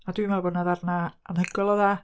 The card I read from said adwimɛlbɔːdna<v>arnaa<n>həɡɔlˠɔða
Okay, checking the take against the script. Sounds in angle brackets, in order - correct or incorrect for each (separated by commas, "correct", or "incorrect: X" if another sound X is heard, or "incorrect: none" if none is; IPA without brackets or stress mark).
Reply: incorrect: ð, correct